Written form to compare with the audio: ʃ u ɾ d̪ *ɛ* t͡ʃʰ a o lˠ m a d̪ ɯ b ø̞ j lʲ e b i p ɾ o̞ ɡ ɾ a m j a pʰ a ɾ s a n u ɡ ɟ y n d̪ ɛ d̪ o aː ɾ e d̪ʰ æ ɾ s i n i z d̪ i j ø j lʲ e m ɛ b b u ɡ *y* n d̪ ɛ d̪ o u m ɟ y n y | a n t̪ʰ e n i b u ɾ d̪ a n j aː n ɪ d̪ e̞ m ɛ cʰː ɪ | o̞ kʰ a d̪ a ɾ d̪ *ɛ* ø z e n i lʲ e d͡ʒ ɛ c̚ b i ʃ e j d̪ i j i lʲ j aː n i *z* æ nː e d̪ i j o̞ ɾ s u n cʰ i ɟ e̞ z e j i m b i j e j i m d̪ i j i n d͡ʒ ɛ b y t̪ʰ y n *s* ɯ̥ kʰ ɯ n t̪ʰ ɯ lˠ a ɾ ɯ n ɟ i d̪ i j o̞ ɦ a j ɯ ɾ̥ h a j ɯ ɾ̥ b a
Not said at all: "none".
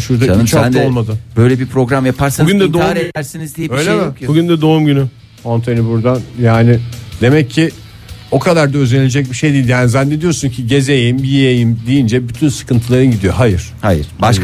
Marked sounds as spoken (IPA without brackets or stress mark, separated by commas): a, y, a, z, s